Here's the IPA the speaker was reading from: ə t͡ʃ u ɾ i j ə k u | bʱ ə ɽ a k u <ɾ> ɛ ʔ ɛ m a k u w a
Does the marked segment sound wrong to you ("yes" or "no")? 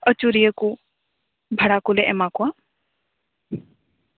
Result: yes